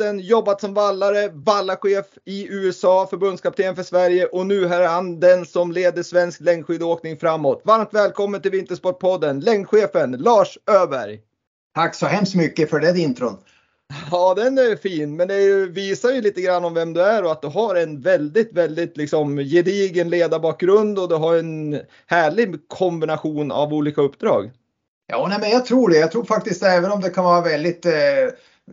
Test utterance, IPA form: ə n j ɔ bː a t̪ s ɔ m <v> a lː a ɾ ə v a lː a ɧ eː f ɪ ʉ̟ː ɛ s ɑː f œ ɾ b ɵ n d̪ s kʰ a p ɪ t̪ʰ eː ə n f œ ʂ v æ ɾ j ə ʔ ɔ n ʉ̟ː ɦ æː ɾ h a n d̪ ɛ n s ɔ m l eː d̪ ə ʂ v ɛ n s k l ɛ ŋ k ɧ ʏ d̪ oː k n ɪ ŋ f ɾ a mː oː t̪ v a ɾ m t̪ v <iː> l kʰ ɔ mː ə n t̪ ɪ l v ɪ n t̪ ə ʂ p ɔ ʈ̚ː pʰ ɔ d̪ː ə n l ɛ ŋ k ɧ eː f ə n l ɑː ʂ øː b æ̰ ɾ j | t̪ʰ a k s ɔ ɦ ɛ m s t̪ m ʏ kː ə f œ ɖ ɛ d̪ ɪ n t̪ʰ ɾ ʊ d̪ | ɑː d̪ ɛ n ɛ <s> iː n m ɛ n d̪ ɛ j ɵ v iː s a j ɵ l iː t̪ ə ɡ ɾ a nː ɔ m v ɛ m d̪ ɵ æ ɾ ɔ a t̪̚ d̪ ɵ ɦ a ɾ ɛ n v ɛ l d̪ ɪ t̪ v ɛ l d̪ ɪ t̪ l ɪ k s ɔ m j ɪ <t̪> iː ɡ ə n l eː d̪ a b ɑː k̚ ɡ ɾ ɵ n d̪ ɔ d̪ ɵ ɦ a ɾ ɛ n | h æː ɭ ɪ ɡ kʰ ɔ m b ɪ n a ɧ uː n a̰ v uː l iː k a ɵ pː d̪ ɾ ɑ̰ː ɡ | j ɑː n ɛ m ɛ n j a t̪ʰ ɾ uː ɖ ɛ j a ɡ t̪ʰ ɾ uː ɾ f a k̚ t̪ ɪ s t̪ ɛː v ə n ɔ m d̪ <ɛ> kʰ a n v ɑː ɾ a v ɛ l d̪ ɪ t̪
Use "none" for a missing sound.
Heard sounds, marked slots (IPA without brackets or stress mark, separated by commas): v, ɛː, f, d̪, ɛ